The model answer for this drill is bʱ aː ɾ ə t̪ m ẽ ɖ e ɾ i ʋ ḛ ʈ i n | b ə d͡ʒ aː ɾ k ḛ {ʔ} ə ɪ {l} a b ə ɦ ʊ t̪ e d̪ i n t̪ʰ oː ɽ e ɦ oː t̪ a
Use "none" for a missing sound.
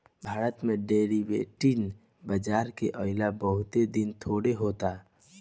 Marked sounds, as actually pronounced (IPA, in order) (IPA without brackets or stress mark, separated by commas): ʔ, l